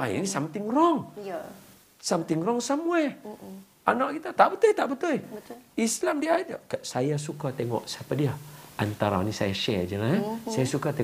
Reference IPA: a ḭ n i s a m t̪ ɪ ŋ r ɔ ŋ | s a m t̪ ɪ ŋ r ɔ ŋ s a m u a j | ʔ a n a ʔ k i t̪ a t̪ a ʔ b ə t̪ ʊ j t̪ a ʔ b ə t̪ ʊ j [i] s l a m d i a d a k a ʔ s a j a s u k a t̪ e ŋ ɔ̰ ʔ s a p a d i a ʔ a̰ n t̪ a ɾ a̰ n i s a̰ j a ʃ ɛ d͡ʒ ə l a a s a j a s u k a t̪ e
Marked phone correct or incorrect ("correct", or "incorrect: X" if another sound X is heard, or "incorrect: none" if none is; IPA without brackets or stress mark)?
correct